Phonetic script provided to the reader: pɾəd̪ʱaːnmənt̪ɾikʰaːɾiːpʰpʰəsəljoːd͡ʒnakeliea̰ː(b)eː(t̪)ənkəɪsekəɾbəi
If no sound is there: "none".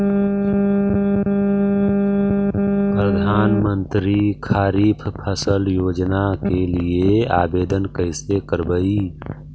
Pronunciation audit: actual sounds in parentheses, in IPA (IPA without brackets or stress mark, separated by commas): b, d̪